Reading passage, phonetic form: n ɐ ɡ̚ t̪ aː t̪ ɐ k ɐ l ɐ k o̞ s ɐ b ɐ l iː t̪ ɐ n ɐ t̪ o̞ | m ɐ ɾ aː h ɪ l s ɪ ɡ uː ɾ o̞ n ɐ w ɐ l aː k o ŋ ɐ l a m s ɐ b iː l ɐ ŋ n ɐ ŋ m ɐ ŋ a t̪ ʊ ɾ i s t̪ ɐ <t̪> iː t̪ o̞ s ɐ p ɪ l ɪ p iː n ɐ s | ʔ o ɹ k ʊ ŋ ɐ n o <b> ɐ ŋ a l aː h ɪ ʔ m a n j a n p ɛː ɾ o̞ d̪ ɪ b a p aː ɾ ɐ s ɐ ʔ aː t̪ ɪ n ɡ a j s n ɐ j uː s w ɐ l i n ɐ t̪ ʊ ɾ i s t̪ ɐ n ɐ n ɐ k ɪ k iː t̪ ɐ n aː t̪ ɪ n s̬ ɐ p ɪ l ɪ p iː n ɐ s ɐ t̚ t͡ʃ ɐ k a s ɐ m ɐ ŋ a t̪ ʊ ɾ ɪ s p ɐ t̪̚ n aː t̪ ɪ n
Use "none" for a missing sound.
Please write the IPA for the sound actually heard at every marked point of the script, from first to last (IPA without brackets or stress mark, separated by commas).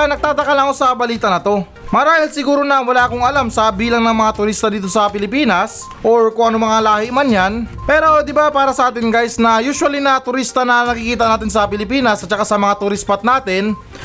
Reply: d̪, m